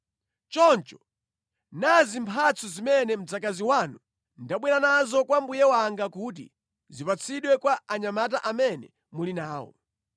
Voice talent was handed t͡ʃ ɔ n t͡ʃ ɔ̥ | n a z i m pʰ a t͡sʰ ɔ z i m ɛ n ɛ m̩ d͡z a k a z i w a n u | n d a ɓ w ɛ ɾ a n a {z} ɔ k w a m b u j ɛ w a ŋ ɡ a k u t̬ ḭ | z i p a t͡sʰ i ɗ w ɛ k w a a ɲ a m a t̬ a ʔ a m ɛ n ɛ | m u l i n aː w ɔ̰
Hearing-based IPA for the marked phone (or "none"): z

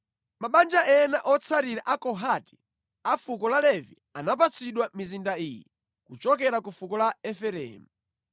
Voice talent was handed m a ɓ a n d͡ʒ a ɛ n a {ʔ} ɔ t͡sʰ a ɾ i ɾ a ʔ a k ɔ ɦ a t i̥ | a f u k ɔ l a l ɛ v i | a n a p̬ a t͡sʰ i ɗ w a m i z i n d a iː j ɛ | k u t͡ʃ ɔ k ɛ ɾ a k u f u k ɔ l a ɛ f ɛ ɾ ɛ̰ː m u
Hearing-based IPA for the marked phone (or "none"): ʔ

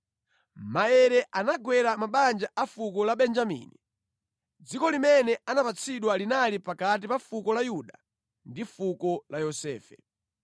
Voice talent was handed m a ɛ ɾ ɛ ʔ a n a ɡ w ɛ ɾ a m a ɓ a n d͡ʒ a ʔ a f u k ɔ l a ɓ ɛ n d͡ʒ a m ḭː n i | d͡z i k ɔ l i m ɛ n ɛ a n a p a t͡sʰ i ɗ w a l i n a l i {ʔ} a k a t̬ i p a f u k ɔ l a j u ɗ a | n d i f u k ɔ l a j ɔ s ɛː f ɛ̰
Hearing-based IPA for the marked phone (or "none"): p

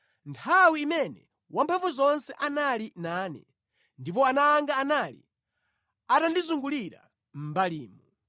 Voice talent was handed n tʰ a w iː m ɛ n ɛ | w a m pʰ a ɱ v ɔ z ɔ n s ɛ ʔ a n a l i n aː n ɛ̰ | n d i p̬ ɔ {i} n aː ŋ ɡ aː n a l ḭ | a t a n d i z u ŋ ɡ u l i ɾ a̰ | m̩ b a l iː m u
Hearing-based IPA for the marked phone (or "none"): a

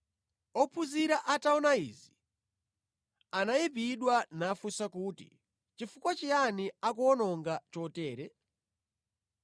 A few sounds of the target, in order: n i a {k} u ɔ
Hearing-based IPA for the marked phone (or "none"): k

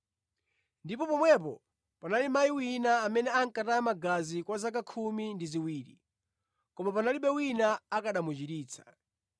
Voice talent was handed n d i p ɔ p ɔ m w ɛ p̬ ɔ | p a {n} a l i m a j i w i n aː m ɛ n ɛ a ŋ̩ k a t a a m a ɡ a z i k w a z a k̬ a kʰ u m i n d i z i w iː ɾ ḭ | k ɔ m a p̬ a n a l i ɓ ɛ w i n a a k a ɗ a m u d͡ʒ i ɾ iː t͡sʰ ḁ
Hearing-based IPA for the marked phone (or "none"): n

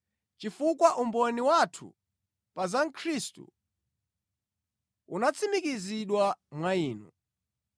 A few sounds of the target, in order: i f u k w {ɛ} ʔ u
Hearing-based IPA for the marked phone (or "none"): a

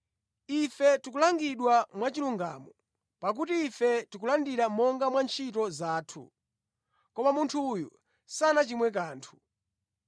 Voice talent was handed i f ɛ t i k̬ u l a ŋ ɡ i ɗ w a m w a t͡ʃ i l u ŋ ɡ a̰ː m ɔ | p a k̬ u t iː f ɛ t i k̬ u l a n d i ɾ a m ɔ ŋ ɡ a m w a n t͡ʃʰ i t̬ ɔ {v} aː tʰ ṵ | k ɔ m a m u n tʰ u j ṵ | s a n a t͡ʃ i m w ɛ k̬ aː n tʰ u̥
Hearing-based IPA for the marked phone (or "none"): z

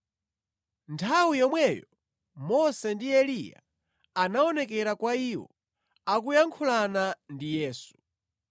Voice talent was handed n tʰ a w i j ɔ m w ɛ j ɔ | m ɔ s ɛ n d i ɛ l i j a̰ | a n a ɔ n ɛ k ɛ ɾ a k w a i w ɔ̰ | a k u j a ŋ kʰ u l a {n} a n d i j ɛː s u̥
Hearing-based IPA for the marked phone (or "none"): n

